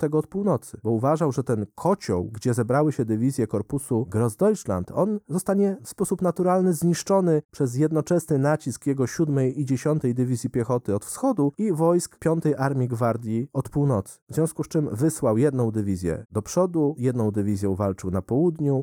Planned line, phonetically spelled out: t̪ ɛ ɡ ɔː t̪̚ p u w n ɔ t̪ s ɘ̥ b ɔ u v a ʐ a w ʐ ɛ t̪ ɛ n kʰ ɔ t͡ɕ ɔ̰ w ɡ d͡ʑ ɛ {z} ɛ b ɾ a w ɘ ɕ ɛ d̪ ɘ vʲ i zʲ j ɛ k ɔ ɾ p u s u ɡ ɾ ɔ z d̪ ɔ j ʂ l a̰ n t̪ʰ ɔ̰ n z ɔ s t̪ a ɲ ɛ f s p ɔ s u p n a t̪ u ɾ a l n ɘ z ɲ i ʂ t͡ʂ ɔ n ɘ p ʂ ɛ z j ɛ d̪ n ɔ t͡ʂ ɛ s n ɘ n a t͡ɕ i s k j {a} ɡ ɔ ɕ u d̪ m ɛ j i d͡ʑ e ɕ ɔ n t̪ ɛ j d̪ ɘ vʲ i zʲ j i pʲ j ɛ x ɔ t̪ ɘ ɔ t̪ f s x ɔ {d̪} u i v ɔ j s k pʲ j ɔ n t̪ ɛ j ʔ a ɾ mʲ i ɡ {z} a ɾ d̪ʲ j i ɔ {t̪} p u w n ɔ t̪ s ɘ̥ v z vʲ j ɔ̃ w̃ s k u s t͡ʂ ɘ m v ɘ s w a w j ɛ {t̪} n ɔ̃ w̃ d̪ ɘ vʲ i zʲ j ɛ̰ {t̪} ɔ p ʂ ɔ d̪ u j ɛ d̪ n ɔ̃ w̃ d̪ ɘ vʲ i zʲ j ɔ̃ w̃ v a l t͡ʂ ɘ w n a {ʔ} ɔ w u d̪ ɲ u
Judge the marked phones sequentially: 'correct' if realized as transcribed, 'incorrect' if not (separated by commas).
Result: correct, incorrect, correct, incorrect, correct, incorrect, incorrect, incorrect